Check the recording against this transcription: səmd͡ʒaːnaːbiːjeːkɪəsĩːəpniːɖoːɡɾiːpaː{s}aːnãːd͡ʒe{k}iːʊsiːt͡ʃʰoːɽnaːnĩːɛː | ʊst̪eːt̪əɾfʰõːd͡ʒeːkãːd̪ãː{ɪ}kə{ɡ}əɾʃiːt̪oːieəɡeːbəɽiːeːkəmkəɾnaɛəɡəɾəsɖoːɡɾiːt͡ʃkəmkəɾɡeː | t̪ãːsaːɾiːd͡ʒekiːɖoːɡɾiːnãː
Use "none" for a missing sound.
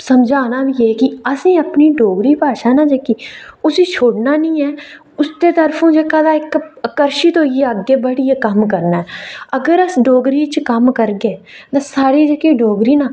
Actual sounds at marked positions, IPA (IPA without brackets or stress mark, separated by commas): ʃ, k, ɪ, k